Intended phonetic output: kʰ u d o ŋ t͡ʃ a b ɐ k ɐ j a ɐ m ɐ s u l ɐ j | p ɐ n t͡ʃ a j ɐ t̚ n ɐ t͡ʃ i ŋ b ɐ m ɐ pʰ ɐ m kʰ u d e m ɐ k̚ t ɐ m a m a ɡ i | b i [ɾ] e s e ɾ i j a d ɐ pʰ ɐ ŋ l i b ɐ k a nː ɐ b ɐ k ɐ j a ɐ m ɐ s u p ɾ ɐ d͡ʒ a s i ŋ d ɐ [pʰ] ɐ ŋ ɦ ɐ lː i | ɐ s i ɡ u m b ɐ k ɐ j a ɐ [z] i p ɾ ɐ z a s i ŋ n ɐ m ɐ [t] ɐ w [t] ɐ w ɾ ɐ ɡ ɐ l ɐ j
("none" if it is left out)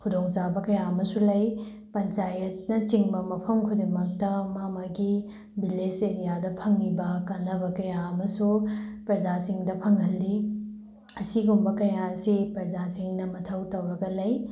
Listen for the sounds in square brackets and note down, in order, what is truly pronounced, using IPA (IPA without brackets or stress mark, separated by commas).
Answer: l, pʰ, s, tʰ, t